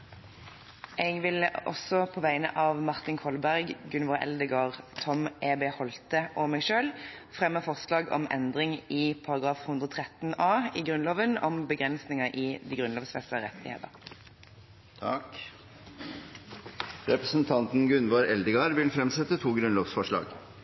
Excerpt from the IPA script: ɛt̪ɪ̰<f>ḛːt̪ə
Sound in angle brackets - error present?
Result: yes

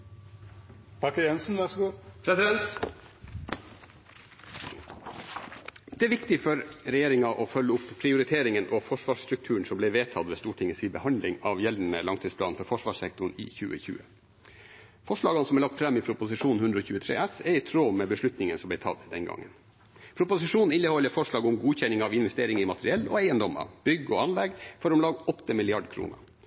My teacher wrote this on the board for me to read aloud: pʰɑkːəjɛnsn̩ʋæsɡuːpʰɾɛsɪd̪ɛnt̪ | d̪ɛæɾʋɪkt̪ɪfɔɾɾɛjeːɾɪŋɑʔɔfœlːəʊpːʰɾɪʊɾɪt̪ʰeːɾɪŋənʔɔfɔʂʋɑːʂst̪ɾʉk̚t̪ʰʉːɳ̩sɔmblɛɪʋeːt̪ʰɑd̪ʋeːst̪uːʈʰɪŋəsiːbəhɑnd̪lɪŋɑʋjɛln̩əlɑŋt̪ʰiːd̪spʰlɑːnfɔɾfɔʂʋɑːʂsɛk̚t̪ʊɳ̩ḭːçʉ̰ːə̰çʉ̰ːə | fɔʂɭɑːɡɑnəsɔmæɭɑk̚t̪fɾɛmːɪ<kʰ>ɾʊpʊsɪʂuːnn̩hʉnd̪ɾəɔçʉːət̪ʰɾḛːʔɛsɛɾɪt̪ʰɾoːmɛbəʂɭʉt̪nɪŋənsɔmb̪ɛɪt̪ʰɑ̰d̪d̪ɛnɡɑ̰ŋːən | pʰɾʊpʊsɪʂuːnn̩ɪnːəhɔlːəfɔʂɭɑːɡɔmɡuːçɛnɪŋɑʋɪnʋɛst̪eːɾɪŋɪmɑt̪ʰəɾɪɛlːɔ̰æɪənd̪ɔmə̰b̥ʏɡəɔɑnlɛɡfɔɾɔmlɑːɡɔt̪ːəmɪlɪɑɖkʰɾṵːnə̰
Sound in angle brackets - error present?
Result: yes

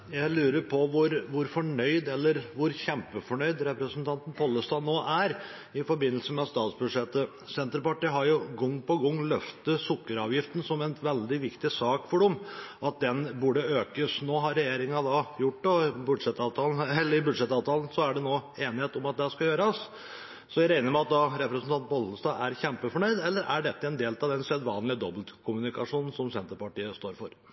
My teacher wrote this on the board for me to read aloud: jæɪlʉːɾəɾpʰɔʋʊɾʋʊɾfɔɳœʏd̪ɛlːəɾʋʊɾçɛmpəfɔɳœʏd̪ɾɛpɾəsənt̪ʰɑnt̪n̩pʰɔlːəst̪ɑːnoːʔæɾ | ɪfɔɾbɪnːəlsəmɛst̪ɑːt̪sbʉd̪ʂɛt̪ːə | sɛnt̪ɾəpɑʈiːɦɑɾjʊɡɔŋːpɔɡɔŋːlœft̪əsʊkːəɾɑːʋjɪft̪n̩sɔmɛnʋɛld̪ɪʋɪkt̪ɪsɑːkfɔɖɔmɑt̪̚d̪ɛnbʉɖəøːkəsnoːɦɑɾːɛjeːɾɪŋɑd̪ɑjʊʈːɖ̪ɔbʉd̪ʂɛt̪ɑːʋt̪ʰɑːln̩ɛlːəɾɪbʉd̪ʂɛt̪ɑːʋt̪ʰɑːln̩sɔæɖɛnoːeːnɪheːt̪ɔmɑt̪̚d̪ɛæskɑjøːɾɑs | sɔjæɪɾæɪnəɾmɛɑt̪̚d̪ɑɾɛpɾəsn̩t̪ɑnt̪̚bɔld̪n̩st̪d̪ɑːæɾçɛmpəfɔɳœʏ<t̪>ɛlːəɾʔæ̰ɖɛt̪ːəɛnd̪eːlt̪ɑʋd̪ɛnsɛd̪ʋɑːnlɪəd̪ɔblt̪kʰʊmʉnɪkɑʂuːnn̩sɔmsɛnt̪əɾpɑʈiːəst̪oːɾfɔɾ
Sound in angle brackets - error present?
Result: yes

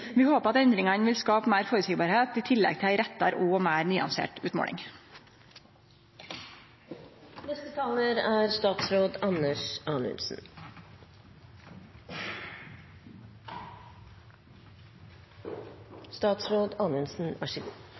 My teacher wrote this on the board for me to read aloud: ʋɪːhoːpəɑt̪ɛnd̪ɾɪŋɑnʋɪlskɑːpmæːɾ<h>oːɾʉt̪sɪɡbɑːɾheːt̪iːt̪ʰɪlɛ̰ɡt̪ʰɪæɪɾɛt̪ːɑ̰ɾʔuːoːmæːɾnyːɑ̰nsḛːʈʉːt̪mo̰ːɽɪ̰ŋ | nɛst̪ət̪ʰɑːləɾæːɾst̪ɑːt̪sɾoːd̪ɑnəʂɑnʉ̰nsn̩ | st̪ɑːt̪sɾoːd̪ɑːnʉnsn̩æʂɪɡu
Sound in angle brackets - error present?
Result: yes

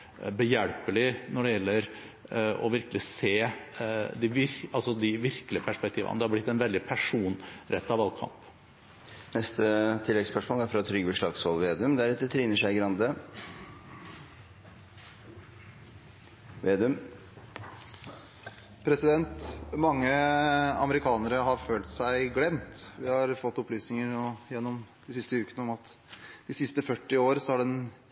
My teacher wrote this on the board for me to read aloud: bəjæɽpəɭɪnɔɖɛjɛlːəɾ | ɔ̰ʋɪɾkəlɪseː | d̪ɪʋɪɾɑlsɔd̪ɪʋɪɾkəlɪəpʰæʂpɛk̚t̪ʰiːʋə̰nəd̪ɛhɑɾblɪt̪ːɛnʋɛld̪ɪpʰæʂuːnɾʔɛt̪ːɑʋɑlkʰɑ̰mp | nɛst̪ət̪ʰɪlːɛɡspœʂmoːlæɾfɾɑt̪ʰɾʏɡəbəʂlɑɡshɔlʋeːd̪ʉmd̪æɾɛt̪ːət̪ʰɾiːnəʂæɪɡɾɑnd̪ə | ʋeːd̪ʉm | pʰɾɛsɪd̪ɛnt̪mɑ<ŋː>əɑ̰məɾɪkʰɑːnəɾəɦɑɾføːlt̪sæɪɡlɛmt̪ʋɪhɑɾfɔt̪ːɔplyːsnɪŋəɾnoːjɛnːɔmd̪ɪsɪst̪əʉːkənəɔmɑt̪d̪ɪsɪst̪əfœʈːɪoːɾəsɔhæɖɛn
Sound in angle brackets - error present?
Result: no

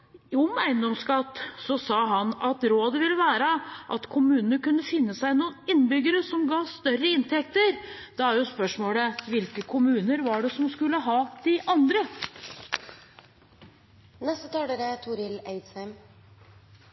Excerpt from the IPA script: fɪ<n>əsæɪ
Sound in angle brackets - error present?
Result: yes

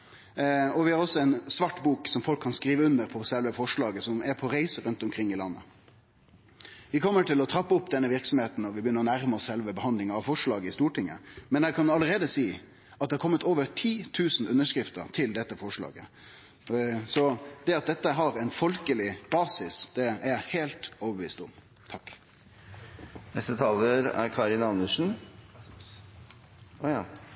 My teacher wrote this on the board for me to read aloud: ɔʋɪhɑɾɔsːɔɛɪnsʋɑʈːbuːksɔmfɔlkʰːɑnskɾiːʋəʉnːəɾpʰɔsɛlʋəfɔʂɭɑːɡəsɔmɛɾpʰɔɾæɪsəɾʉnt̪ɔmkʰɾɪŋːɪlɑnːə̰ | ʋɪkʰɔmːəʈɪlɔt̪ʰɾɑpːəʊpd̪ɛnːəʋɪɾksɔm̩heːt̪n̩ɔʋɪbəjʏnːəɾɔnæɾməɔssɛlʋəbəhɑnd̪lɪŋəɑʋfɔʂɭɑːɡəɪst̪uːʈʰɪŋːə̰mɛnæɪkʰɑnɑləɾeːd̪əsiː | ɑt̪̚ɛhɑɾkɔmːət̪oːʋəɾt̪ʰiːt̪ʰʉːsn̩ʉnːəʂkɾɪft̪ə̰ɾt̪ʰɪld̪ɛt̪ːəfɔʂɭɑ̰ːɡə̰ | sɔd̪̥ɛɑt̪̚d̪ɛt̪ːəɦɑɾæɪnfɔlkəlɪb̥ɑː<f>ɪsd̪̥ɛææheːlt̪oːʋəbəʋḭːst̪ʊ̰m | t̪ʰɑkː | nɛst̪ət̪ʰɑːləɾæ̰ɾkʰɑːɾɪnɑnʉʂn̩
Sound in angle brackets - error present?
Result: yes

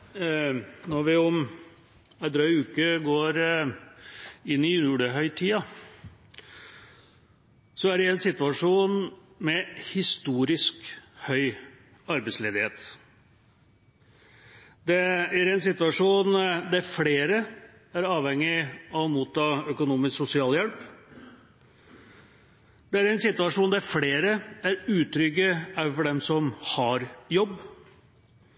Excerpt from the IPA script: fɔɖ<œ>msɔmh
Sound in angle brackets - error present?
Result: yes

